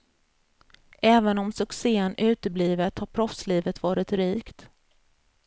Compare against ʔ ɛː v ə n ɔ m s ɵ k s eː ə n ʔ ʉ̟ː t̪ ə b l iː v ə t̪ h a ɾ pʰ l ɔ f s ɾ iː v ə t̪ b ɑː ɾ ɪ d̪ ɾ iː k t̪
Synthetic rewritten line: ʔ ɛː v ə n ɔ m s ɵ k s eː ə n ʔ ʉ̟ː t̪ ə b l iː v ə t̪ h a ɾ pʰ ɾ ɔ f s l iː v ə t̪ v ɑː ɾ ɪ t̪ ɾ iː k t̪